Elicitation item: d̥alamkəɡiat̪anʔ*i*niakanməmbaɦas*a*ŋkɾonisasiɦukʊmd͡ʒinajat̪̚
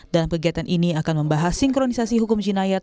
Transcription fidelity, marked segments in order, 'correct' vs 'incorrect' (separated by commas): correct, incorrect